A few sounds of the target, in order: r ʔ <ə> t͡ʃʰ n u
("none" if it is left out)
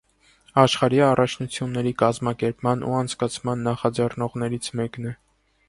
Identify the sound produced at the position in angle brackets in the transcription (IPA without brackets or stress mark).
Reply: ɑ